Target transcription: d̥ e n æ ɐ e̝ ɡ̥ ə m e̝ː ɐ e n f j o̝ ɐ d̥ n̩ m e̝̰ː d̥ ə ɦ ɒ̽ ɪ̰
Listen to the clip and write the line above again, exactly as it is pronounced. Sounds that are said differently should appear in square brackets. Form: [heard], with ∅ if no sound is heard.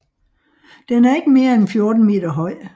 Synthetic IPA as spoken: d̥ e n æ ɐ e̝ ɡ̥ ə m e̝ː ɐ e n f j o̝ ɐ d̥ n̩ m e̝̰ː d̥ [ɐ] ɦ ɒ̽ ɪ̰